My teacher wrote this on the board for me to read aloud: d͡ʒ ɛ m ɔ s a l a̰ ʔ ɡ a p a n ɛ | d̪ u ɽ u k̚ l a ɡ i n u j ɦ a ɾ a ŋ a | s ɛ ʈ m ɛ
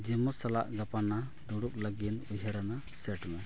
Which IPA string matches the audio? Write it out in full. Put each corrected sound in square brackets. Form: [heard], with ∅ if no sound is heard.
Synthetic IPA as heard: d͡ʒ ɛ m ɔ s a l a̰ ʔ ɡ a p a n [a] | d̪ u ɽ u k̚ l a ɡ i n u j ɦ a ɾ a [n] a | s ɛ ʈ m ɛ